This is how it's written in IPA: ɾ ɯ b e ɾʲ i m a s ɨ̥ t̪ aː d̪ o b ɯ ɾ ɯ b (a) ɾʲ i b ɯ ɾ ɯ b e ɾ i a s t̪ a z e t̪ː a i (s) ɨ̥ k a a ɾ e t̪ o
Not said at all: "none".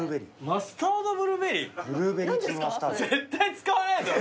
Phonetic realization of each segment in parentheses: e, t͡s

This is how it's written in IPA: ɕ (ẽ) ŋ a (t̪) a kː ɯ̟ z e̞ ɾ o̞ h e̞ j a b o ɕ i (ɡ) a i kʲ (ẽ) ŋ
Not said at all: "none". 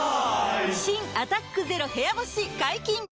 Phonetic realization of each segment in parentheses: ĩ, t̪, ɡ, ĩ

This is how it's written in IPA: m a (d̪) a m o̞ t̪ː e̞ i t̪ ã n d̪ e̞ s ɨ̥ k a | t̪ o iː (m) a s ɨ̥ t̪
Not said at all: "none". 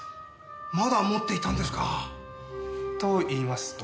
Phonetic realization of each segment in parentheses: d̪, m

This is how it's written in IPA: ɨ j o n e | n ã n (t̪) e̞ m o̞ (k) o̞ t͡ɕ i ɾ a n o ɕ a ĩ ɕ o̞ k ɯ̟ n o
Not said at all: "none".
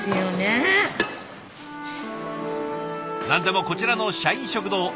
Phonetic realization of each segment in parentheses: d̪, k

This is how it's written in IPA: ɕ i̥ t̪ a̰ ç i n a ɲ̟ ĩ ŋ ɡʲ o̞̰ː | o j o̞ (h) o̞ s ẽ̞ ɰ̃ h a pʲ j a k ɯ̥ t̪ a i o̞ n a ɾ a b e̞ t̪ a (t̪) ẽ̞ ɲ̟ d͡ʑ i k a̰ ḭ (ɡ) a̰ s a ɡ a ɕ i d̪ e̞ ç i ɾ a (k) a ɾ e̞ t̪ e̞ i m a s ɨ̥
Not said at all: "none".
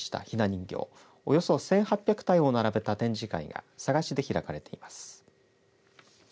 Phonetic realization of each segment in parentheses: s, t̪, ɡ, k

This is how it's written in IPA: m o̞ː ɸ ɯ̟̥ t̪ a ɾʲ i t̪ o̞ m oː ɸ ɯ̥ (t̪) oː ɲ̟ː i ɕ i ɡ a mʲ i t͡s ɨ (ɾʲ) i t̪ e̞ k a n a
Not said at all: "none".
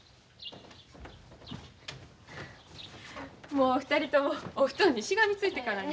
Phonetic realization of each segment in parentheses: t̪, none

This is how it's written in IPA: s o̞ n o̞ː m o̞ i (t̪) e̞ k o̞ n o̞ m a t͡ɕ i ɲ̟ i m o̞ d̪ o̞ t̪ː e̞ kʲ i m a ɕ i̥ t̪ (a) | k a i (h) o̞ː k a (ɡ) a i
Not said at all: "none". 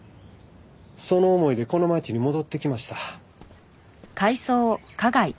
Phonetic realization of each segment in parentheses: d̪, a, s, ɡ

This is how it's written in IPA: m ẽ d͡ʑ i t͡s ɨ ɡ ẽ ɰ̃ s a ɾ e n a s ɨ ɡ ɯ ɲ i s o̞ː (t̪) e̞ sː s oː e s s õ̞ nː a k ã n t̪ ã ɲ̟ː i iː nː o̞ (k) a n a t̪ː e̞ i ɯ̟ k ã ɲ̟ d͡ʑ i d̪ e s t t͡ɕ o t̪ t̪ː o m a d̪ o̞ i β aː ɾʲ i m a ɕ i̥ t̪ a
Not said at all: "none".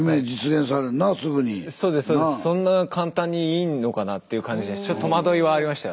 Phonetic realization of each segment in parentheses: d̪, k

